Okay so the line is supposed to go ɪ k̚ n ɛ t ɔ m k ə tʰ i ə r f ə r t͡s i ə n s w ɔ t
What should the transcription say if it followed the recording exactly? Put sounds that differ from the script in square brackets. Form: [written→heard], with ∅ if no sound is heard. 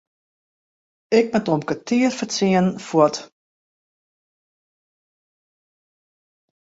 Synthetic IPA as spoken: ɪ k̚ [n→m] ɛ t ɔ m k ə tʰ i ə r f ə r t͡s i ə n [s→f] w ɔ t

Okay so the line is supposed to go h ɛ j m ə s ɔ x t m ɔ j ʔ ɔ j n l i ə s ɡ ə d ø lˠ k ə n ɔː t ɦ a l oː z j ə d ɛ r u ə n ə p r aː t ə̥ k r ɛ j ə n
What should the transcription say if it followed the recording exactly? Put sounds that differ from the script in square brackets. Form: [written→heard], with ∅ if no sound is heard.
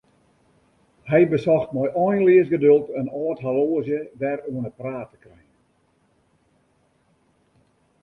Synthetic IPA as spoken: h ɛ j [m→b] ə s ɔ x t m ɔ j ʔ ɔ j n l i ə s ɡ ə d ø lˠ [k→t] ə n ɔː t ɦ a l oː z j ə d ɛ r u ə n ə p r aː t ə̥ k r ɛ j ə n

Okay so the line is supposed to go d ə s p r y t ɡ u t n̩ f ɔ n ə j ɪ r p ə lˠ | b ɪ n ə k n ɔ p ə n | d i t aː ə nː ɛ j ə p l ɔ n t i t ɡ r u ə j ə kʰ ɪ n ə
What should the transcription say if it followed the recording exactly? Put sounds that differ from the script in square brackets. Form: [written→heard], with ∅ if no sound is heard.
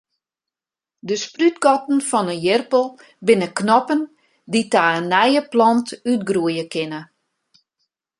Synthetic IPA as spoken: d ə s p r y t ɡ [u→ɔ] t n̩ f ɔ n ə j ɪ r p ə lˠ | b ɪ n ə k n ɔ p ə n | d i t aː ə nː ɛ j ə p l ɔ n t [i→y] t ɡ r u ə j ə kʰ ɪ n ə

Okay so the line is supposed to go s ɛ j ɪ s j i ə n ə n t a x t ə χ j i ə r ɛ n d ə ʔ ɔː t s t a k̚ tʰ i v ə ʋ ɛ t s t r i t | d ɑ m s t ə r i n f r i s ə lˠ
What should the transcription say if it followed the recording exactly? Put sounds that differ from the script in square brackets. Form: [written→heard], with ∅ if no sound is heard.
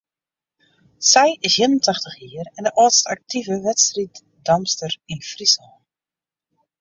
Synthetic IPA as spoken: s ɛ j ɪ s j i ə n ə n t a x t ə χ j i ə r ɛ n d ə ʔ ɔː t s t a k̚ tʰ i v ə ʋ ɛ t s t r i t | d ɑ m s t ə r i n f r i s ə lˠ

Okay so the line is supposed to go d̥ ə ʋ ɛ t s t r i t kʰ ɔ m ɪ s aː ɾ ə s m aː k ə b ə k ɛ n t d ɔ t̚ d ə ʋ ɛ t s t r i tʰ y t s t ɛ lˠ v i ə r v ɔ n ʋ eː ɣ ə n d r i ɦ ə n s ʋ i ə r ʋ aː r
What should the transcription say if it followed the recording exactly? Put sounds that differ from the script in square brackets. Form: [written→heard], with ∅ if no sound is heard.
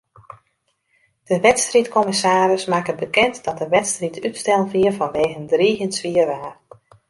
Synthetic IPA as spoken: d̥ ə ʋ ɛ t s t r i t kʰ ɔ m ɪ s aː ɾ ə s m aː k ə b ə k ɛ n t d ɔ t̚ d ə ʋ ɛ t s t r i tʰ y t s t ɛ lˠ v i ə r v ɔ n ʋ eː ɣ ə n d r i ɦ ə n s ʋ i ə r ʋ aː r

